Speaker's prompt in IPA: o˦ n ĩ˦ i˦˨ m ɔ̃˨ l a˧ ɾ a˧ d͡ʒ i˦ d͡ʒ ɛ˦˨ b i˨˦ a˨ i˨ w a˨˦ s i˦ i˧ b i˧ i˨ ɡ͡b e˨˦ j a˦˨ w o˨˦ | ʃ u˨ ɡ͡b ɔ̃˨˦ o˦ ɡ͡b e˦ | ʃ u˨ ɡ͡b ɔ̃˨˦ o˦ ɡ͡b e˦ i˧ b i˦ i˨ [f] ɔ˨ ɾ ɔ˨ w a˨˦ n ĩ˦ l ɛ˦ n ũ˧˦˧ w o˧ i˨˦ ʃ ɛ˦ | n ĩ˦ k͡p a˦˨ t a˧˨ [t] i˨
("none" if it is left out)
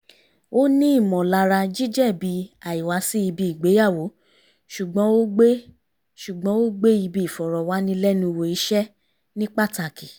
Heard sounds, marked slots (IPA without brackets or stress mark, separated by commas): f, k